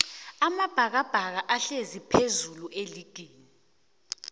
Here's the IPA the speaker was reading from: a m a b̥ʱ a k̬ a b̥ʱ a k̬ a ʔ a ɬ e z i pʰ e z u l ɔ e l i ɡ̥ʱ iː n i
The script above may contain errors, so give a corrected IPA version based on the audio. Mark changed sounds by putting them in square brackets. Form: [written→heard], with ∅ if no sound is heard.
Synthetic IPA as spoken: a m a b̥ʱ a k̬ a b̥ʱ a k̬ a ʔ a ɬ e z i pʰ e z u l [ɔ→u] e l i ɡ̥ʱ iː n i